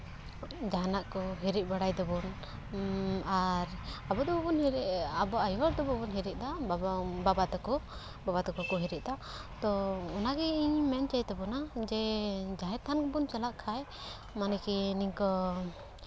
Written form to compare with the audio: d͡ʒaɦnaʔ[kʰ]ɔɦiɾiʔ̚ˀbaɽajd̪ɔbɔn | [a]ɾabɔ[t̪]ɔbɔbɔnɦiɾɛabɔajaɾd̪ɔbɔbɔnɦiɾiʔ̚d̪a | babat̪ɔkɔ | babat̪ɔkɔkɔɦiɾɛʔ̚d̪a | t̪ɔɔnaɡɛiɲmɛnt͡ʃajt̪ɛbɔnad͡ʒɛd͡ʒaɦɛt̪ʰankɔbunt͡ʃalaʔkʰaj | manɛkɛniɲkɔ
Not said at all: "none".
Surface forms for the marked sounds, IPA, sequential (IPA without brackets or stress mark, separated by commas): k, a, d̪